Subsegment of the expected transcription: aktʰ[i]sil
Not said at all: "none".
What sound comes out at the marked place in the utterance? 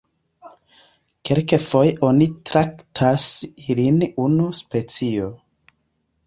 a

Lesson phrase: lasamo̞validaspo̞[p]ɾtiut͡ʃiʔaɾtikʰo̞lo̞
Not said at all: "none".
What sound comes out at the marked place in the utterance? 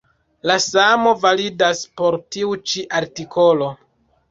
none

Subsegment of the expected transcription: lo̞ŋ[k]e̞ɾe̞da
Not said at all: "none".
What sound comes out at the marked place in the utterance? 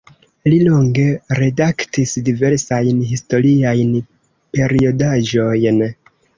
ɡ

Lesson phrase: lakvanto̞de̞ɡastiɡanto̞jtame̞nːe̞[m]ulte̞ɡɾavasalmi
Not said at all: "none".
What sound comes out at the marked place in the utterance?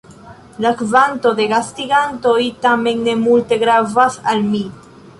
m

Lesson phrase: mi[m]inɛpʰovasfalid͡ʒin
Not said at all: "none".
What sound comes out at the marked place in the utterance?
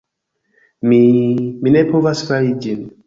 m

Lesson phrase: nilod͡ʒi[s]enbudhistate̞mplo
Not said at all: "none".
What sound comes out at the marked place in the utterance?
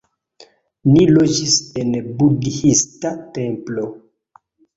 s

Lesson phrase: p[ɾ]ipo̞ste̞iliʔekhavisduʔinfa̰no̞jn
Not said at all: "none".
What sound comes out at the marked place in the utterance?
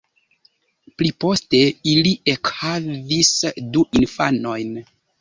l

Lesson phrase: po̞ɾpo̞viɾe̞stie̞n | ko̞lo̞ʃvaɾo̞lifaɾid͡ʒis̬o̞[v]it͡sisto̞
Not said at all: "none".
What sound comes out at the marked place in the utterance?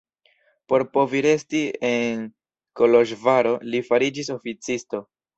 f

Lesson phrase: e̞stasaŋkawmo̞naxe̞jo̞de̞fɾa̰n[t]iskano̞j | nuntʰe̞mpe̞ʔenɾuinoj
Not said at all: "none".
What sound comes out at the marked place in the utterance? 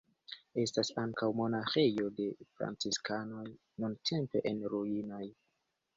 t͡s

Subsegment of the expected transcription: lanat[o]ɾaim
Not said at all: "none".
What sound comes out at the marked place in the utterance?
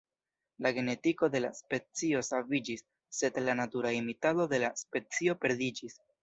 u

